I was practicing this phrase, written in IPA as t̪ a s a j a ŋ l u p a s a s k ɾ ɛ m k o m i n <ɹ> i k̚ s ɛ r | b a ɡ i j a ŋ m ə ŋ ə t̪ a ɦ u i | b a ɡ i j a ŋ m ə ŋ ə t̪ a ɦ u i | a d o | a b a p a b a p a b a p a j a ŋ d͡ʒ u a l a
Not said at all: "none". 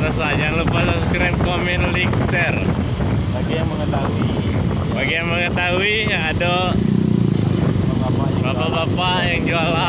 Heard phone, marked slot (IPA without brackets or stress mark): l